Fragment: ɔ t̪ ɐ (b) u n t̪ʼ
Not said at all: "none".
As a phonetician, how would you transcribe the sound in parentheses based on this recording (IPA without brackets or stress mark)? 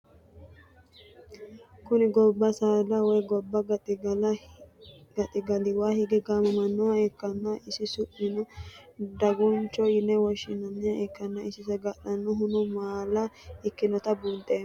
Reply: b